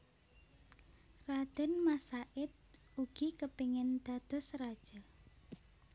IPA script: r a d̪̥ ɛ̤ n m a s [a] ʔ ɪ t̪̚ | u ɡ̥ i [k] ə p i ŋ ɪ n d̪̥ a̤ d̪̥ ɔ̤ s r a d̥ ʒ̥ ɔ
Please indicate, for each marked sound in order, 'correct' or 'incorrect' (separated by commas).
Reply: correct, correct